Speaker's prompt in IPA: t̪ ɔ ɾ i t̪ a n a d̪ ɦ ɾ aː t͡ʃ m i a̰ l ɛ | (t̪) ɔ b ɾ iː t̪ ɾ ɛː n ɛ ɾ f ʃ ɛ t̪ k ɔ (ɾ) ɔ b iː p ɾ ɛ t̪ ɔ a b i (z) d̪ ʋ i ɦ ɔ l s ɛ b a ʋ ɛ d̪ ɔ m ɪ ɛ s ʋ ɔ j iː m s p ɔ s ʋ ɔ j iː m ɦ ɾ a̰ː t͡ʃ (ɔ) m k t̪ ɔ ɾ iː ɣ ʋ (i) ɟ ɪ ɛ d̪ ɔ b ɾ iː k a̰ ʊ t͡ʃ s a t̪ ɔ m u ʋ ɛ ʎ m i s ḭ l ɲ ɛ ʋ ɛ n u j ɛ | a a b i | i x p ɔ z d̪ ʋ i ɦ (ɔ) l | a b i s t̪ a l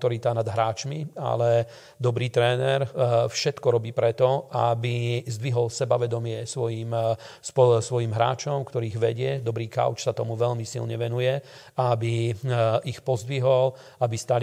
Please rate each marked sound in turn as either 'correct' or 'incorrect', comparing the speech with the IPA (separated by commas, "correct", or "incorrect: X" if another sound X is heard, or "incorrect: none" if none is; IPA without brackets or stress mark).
incorrect: d̪, correct, correct, correct, incorrect: ɛ, correct